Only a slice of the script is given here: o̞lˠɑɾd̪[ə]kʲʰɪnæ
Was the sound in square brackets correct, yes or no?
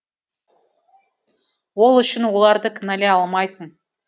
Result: yes